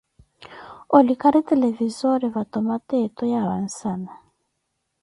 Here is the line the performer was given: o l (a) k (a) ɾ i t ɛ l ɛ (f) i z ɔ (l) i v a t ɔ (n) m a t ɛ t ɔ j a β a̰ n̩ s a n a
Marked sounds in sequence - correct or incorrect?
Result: incorrect: i, correct, incorrect: v, incorrect: ɾ, incorrect: none

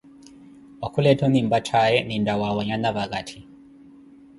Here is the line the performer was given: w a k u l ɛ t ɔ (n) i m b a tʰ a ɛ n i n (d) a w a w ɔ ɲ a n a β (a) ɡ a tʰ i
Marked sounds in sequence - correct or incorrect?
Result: correct, correct, correct

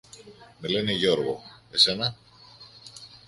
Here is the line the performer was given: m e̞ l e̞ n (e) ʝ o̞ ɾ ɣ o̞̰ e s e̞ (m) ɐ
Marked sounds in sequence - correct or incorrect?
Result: correct, incorrect: n

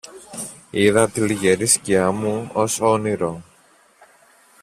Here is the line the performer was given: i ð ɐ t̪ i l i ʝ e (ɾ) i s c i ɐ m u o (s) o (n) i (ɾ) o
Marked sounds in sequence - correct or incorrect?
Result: correct, correct, correct, correct

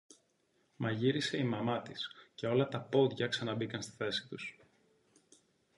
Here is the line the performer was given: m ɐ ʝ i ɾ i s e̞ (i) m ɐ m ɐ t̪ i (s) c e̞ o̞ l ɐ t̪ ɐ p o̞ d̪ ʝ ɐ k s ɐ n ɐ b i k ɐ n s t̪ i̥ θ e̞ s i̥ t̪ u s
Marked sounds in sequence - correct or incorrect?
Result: correct, correct

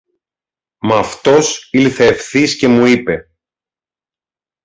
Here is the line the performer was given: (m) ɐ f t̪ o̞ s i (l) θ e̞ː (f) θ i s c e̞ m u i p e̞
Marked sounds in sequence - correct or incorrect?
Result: correct, correct, correct

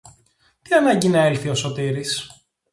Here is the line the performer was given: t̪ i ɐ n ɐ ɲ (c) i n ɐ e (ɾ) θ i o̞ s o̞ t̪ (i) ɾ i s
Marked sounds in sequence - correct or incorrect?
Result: incorrect: ɟ, incorrect: l, correct

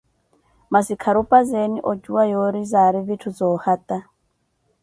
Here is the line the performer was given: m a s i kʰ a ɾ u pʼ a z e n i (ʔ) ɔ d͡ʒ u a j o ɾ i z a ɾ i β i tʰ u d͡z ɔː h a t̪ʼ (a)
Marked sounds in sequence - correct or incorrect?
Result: correct, correct

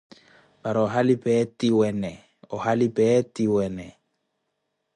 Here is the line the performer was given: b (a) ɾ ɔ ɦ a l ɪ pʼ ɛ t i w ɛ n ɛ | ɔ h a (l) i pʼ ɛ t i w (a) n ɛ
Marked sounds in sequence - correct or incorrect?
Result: correct, correct, incorrect: ɛ

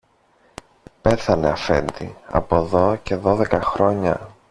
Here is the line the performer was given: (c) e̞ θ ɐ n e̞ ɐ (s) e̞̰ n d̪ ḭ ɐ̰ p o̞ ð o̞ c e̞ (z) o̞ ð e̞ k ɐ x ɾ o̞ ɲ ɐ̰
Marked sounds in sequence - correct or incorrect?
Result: incorrect: p, incorrect: f, incorrect: ð

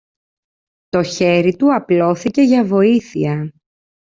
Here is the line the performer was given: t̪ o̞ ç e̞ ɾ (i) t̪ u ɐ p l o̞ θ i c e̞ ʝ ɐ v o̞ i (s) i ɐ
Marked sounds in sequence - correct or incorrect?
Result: correct, incorrect: θ

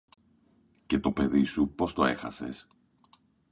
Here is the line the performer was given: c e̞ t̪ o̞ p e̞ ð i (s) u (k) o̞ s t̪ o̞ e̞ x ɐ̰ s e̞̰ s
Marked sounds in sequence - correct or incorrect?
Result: correct, incorrect: p

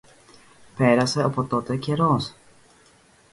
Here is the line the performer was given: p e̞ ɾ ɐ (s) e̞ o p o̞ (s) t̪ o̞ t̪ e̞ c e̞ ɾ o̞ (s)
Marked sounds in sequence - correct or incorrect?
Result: correct, incorrect: none, correct

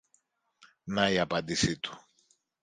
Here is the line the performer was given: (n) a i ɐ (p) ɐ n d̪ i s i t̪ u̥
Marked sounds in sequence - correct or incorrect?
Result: correct, correct

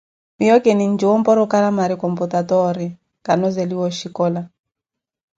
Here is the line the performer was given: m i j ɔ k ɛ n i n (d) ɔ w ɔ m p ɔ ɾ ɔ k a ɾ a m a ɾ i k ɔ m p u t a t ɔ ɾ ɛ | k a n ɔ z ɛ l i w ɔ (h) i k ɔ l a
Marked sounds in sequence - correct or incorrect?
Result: incorrect: d͡ʒ, incorrect: ʃ

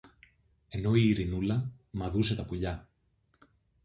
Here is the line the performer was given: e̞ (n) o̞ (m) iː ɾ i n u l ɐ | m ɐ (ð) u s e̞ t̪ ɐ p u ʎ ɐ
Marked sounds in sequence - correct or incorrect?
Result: correct, incorrect: none, correct

